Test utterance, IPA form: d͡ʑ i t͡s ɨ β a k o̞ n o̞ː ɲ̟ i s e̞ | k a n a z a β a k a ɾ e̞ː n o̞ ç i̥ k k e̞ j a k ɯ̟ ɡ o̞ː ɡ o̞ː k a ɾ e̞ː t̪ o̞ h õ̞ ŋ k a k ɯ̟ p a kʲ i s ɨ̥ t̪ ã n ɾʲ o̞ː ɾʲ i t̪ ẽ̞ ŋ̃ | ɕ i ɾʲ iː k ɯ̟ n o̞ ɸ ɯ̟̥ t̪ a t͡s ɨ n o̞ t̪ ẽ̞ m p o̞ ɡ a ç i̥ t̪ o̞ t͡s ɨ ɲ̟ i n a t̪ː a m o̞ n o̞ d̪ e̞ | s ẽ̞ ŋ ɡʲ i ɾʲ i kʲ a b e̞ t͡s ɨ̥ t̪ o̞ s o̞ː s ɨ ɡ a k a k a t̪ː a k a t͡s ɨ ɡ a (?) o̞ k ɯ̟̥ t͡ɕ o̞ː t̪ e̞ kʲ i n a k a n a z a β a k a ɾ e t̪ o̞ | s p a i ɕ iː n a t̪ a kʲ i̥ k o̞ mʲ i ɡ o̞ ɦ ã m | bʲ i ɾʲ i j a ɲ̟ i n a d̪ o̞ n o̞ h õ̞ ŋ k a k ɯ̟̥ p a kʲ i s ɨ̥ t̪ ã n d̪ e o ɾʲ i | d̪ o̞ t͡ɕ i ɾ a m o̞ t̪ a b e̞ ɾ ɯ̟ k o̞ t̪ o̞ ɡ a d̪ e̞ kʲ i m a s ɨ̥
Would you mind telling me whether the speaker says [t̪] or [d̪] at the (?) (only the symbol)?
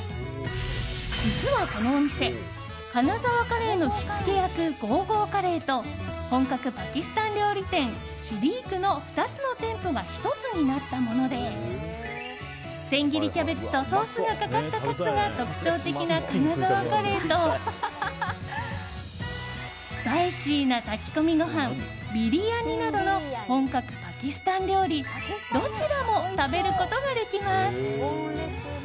t̪